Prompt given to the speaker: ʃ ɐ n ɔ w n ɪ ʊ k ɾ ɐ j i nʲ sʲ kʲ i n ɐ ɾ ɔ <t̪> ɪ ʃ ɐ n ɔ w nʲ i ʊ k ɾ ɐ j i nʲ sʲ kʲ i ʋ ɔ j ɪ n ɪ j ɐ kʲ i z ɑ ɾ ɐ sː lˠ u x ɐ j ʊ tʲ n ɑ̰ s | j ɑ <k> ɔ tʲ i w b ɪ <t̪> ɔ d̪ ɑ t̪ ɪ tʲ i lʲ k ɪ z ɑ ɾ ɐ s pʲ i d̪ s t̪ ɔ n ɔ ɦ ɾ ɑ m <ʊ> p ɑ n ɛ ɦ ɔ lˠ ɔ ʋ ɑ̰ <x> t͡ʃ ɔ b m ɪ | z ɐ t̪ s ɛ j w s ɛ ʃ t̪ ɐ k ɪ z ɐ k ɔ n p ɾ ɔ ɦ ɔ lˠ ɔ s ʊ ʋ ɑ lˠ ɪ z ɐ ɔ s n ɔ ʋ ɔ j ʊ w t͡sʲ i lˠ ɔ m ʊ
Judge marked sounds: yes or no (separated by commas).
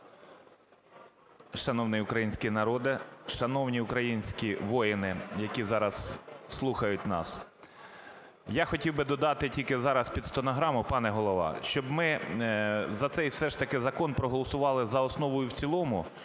no, no, no, yes, no